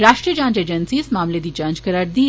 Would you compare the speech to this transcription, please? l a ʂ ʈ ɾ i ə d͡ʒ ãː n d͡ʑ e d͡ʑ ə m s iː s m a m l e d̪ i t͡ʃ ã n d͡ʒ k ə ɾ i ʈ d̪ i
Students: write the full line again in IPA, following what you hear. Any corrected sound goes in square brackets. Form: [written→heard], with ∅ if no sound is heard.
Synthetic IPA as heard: [l→ɾ] a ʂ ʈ ɾ i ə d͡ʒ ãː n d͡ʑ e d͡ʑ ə [m→n] s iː s m a m l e d̪ i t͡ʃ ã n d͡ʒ k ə ɾ [i→a] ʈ d̪ i

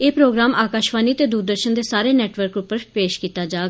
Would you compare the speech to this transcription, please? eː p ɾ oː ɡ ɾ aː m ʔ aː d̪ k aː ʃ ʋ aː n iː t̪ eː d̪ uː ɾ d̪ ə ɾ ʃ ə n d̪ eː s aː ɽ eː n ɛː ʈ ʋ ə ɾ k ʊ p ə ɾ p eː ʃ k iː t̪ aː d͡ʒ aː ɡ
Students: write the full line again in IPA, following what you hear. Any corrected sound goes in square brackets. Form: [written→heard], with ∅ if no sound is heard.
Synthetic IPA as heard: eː p ɾ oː ɡ ɾ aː m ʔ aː [d̪→∅] k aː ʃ ʋ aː n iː t̪ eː d̪ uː ɾ d̪ ə ɾ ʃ ə n d̪ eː s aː [ɽ→ɾ] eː n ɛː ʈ ʋ ə ɾ k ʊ p ə ɾ p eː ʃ k iː t̪ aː d͡ʒ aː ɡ

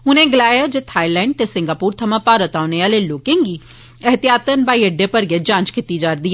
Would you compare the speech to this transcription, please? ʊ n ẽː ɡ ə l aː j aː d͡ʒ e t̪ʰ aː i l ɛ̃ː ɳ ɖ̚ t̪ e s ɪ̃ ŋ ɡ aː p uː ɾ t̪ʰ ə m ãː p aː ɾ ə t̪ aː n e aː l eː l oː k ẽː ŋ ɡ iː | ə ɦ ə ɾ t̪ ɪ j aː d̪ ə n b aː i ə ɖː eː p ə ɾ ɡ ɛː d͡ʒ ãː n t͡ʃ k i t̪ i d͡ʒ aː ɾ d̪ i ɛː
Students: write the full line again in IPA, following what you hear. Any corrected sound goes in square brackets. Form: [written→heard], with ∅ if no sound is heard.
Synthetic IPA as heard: ʊ n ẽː ɡ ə l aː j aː d͡ʒ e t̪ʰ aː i l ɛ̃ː ɳ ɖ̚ t̪ e s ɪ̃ ŋ ɡ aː p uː ɾ t̪ʰ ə m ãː p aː ɾ ə t̪ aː n e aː l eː l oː k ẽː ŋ ɡ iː | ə ɦ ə [ɾ→∅] t̪ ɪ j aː [d̪→t̪] ə n b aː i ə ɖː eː p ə ɾ ɡ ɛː d͡ʒ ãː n t͡ʃ k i t̪ i d͡ʒ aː ɾ d̪ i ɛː

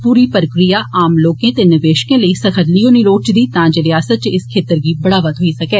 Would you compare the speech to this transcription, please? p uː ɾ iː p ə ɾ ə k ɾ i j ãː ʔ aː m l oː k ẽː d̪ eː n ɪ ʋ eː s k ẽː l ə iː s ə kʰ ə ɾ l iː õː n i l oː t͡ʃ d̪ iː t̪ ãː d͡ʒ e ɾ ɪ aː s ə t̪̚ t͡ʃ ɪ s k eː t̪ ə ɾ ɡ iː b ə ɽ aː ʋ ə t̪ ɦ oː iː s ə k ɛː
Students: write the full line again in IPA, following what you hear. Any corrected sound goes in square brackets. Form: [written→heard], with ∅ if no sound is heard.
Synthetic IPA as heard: p uː ɾ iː p ə ɾ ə k ɾ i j [ãː→aː] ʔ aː m l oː k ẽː [d̪→t̪] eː n ɪ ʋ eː [s→ʃ] k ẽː l ə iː s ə kʰ ə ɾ l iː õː n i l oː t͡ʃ d̪ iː t̪ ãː d͡ʒ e ɾ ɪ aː s ə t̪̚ t͡ʃ ɪ s [k→kʰ] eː t̪ ə ɾ ɡ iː b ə ɽ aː ʋ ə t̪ ɦ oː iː s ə k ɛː

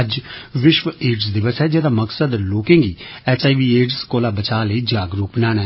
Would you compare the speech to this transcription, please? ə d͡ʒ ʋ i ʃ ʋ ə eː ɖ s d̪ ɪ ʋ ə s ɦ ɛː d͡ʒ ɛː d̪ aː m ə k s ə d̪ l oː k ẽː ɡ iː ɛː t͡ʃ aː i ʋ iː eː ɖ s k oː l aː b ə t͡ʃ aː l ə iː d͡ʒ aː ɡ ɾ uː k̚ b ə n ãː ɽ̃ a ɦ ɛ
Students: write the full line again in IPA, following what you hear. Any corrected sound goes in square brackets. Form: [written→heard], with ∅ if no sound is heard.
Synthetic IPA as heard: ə d͡ʒ ʋ [i→ɪ] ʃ ʋ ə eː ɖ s d̪ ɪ ʋ ə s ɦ ɛː d͡ʒ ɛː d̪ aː m ə k s ə d̪ l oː k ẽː ɡ iː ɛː t͡ʃ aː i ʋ iː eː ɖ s k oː l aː b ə t͡ʃ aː l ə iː d͡ʒ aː ɡ ɾ uː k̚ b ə n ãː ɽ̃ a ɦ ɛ

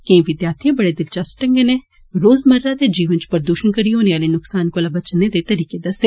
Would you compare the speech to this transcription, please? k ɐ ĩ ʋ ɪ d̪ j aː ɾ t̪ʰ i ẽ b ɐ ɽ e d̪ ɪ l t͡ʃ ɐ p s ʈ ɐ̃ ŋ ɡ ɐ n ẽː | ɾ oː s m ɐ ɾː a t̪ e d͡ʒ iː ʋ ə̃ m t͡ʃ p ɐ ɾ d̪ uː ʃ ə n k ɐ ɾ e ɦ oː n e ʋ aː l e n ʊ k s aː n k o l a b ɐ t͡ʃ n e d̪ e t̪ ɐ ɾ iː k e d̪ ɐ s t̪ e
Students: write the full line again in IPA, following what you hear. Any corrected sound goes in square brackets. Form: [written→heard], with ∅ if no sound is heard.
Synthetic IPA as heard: k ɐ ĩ ʋ ɪ d̪ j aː ɾ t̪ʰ i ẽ b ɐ ɽ e d̪ ɪ l t͡ʃ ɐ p s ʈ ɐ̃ ŋ ɡ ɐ n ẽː | ɾ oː [s→z] m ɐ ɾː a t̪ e d͡ʒ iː ʋ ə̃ [m→n] t͡ʃ p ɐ ɾ d̪ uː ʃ ə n k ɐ ɾ [e→i] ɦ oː n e ʋ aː l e n ʊ k s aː n k o l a b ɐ t͡ʃ n e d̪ e t̪ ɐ ɾ iː k e d̪ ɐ s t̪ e

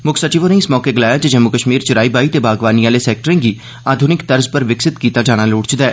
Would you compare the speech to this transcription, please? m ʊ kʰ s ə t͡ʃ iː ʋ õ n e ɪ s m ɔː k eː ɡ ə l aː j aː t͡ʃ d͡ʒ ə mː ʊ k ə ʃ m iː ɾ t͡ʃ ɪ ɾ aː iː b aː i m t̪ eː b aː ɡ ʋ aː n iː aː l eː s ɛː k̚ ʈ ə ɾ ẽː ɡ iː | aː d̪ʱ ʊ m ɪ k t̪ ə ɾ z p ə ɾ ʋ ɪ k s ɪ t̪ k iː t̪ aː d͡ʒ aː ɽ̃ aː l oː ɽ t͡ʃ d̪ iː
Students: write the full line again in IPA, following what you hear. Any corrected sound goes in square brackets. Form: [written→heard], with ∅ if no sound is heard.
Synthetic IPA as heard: m ʊ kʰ s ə t͡ʃ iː ʋ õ n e ɪ s m ɔː k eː ɡ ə l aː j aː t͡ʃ d͡ʒ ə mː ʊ k ə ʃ m iː ɾ t͡ʃ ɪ ɾ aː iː b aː i [m→∅] t̪ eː b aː ɡ ʋ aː n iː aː l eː s ɛː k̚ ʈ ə ɾ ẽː ɡ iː | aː d̪ʱ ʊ [m→n] ɪ k t̪ ə ɾ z p ə ɾ ʋ ɪ k s ɪ t̪ k iː t̪ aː d͡ʒ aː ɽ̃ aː l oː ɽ t͡ʃ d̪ [iː→ɛː]

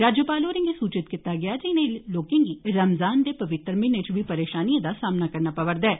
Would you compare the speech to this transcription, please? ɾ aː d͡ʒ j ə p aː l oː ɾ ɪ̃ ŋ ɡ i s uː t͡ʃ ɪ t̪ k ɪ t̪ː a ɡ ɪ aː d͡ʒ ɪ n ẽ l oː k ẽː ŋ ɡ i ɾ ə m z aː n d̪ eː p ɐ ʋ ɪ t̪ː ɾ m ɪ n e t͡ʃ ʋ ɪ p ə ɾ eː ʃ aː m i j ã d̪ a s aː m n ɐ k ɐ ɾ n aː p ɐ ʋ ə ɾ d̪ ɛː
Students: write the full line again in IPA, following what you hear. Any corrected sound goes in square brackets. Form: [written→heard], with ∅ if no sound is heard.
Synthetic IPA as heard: ɾ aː d͡ʒ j ə p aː l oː ɾ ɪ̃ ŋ ɡ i s uː t͡ʃ ɪ t̪ k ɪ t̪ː a ɡ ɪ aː d͡ʒ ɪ n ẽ l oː k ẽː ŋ ɡ i ɾ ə m z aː n d̪ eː p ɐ ʋ ɪ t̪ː ɾ m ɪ n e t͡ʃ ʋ [ɪ→i] p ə ɾ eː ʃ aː [m→n] i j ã d̪ a s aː m n [ɐ→a] k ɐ ɾ n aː p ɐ ʋ ə ɾ d̪ ɛː

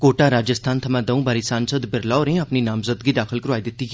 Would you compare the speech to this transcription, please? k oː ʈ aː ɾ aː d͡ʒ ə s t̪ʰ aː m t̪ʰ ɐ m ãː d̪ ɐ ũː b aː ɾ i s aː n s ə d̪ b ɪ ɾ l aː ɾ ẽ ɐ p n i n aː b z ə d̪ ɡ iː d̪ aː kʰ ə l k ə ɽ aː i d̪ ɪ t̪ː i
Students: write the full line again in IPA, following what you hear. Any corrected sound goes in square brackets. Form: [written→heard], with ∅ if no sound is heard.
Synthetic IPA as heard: k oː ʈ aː ɾ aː d͡ʒ ə s t̪ʰ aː [m→n] t̪ʰ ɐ m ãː d̪ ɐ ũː b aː ɾ i s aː n s ə d̪ b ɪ ɾ l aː ɾ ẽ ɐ p n i n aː [b→m] z ə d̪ ɡ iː d̪ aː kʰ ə l k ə [ɽ→ɾ] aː i d̪ ɪ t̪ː i

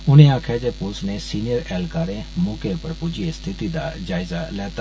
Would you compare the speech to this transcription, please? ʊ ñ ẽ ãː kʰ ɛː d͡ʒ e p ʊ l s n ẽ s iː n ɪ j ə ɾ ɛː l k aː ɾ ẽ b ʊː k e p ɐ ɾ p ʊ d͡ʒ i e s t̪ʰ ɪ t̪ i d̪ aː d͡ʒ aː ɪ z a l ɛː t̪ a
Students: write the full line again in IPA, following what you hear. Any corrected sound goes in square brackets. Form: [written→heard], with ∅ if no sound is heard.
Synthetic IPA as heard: ʊ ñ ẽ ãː kʰ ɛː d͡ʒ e p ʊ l s n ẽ s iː n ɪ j ə ɾ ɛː l k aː ɾ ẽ [b→m] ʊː k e p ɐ ɾ p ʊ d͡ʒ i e s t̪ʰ ɪ t̪ i d̪ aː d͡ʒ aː ɪ z a l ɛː t̪ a

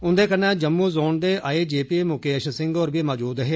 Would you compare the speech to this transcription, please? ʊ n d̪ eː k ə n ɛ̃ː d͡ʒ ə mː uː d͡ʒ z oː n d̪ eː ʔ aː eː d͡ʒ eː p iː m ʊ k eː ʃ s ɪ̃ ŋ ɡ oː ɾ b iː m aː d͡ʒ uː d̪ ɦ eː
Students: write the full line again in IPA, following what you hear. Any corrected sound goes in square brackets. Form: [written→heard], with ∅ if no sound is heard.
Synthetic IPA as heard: ʊ n d̪ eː k ə n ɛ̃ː d͡ʒ ə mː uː [d͡ʒ→∅] z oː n d̪ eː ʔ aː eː d͡ʒ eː p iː m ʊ k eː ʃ s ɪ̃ ŋ ɡ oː ɾ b iː m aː d͡ʒ uː d̪ ɦ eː

